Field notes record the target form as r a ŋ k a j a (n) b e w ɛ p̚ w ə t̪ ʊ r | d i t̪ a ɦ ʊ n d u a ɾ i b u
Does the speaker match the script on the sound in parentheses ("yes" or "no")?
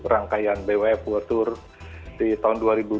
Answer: yes